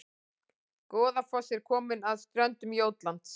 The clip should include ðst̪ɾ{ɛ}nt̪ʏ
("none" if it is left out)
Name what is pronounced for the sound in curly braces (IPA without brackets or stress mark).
œ